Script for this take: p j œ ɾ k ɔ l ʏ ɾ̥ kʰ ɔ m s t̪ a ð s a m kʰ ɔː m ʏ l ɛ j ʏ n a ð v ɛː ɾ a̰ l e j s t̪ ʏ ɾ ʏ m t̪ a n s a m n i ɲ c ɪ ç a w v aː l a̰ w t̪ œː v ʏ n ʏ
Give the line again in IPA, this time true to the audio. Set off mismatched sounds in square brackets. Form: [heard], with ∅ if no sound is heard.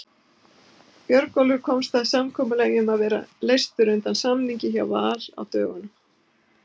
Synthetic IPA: p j œ ɾ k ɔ l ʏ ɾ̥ kʰ ɔ m s t̪ a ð s a m kʰ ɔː m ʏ l ɛ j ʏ [m] a ð v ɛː ɾ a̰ l e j s t̪ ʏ ɾ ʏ [n] t̪ a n s a m n i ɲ c ɪ ç a w v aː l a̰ w t̪ œː [ɣ] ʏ n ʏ